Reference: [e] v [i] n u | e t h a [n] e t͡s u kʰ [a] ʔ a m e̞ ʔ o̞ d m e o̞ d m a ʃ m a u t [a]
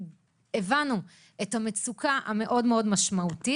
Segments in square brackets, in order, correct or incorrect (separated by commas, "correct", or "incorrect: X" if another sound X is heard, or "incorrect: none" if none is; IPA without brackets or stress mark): correct, incorrect: a, incorrect: m, correct, incorrect: i